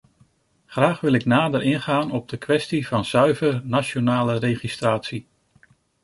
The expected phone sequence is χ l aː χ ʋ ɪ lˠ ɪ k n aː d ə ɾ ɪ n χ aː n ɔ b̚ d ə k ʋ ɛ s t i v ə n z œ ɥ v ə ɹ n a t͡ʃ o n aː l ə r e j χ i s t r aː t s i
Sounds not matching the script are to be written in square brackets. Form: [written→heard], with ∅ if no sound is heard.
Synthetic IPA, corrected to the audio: χ [l→r] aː χ ʋ ɪ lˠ ɪ k n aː d ə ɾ ɪ n χ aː n ɔ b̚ d ə k ʋ ɛ s t i v [ə→ɑ] n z œ ɥ v ə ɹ n a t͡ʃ o n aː l ə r e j χ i s t r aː t s i